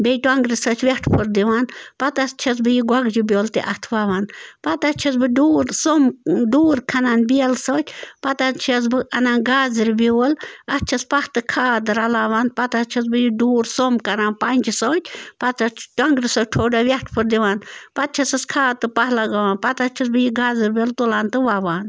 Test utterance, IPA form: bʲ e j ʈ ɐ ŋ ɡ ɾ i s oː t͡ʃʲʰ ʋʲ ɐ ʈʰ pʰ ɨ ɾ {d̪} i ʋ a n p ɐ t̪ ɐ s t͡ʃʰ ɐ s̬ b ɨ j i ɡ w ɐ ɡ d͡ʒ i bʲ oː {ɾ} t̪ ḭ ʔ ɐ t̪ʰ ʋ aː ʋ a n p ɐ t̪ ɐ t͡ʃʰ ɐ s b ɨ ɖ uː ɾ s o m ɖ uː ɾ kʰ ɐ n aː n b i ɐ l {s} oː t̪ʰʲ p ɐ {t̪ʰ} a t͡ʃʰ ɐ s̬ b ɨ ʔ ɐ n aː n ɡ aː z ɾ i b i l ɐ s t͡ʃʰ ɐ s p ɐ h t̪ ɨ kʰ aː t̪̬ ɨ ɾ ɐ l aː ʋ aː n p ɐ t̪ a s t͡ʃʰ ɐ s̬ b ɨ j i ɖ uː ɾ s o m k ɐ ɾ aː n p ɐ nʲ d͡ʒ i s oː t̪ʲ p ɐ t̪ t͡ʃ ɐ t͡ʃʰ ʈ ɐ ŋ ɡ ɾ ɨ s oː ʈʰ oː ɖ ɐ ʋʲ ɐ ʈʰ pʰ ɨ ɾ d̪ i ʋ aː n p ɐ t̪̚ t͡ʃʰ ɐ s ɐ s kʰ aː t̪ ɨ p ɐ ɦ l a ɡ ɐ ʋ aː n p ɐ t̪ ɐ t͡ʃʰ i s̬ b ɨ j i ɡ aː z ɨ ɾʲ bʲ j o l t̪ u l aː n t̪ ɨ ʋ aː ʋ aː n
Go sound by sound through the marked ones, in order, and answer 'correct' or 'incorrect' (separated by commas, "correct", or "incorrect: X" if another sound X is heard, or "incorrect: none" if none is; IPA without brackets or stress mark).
correct, incorrect: l, correct, incorrect: t̪